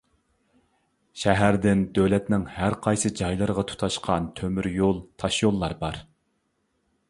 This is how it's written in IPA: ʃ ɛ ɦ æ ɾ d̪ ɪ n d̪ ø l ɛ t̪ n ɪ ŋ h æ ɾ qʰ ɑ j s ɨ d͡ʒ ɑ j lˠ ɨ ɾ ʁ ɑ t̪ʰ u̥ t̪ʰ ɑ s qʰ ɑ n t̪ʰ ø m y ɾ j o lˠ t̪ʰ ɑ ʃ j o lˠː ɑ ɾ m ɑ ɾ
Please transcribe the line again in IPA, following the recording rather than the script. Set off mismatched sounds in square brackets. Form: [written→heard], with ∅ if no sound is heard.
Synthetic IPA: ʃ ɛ ɦ æ ɾ d̪ ɪ n d̪ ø l ɛ t̪ n ɪ ŋ h æ ɾ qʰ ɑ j s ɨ d͡ʒ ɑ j lˠ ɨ ɾ ʁ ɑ t̪ʰ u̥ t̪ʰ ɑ [s→ʃ] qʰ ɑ n t̪ʰ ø m y ɾ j o lˠ t̪ʰ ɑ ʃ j o lˠː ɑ ɾ [m→b] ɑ ɾ